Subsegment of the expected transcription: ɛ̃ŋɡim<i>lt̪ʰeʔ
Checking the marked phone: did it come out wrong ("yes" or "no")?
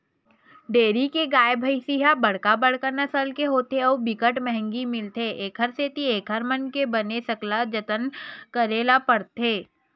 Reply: yes